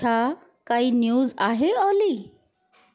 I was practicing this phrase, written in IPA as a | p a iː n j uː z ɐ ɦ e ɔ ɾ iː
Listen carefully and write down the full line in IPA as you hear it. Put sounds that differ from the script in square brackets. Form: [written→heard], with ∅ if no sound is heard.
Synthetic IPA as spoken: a | [p→k] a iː n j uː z [ɐ→a] ɦ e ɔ [ɾ→l] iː